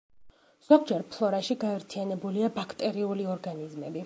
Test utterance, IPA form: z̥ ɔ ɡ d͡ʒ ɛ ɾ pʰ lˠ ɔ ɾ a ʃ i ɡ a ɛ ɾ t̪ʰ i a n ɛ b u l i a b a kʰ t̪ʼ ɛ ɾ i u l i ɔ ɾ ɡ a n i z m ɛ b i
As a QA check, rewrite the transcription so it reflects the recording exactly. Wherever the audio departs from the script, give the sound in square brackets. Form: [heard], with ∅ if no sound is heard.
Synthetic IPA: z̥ ɔ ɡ d͡ʒ ɛ ɾ pʰ lˠ ɔ ɾ a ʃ i ɡ a ɛ ɾ t̪ʰ i a n ɛ b u l i a b a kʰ t̪ʼ ɛ ɾ i u l i ɔ ɾ ɡ a n i z m ɛ b i